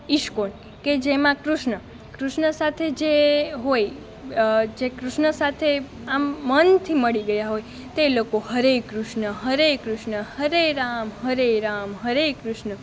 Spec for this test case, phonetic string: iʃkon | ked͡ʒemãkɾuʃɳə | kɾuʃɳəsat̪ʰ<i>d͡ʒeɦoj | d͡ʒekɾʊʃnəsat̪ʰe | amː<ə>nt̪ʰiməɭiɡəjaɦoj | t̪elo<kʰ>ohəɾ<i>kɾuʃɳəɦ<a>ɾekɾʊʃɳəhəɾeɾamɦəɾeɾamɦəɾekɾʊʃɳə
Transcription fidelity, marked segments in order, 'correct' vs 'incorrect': incorrect, correct, incorrect, incorrect, incorrect

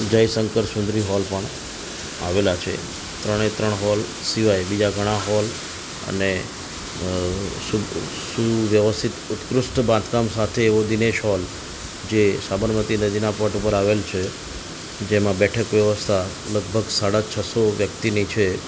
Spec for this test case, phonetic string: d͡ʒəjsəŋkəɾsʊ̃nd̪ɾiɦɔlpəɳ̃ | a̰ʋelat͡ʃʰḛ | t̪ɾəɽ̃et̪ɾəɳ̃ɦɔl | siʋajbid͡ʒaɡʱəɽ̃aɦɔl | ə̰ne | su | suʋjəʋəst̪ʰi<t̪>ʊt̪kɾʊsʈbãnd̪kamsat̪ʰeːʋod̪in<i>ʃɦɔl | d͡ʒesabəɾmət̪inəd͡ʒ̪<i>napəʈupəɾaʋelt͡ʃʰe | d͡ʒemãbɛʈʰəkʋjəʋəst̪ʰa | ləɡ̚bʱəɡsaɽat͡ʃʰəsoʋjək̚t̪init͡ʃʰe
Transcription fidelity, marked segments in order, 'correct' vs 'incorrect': correct, incorrect, correct

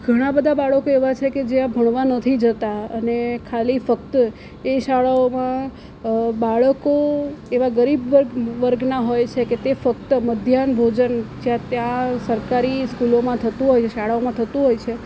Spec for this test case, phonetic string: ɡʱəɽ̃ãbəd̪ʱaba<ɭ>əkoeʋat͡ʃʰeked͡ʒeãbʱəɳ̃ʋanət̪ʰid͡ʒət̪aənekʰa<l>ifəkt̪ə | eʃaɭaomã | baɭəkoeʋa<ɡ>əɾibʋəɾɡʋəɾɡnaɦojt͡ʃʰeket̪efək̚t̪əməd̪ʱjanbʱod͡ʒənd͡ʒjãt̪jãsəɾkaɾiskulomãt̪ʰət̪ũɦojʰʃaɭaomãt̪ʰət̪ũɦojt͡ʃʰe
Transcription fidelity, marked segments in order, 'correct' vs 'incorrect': correct, correct, correct

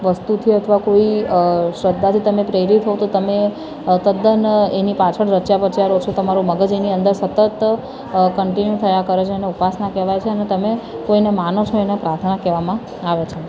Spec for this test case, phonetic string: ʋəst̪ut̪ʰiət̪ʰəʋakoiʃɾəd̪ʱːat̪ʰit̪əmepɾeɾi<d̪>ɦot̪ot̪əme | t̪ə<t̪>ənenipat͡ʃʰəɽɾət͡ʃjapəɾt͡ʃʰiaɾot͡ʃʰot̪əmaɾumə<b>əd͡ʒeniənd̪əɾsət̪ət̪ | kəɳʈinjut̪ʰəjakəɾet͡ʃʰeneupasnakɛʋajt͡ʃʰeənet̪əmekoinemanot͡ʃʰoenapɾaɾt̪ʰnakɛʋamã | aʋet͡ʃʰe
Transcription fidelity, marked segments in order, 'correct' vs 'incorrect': incorrect, incorrect, incorrect

